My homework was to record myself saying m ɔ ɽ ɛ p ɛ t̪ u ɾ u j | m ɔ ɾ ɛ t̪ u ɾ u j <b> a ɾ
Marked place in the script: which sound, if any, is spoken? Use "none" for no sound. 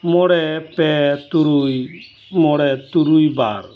b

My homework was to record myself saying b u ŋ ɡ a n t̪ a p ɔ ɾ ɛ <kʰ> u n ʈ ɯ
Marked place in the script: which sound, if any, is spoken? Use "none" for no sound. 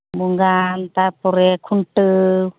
kʰ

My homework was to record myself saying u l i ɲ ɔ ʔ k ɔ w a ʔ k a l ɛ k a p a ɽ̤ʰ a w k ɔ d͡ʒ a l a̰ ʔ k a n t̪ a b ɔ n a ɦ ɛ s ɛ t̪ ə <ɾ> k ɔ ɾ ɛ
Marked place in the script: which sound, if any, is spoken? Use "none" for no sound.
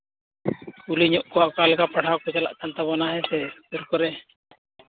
ɾ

